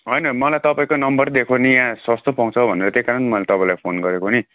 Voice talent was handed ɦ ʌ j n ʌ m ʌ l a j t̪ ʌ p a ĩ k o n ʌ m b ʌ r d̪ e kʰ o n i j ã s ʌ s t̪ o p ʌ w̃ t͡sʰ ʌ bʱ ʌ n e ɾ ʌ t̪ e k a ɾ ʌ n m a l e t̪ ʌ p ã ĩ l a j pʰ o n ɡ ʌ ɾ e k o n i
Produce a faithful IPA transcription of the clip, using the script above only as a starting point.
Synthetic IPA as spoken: ɦ ʌ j n ʌ m ʌ l a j t̪ ʌ p a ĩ k o n ʌ m b ʌ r d̪ e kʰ o n i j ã s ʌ s t̪ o p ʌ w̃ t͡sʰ ʌ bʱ ʌ n e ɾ ʌ t̪ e k a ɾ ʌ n m ʌ l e t̪ ʌ p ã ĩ l a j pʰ o n ɡ ʌ ɾ e k o n i